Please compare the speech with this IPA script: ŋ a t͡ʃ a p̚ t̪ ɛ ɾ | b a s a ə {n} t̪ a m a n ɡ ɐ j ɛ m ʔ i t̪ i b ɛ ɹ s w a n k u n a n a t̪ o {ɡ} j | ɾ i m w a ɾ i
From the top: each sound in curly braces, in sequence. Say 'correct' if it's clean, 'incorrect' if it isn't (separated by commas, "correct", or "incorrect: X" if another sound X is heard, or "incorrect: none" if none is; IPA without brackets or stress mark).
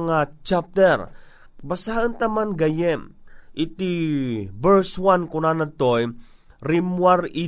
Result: correct, incorrect: none